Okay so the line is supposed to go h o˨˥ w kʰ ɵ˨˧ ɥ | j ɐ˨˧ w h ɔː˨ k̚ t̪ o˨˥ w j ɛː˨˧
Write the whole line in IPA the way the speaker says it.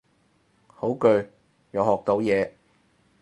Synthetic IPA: h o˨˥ w k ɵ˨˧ ɥ | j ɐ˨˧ w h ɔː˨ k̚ t̪ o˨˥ w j ɛː˨˧